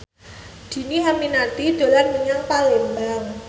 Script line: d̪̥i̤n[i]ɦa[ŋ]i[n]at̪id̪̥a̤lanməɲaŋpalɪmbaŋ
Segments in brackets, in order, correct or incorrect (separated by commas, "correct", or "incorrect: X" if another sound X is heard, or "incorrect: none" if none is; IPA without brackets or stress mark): correct, incorrect: m, correct